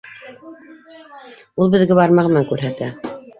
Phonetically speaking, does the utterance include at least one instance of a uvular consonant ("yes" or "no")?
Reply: yes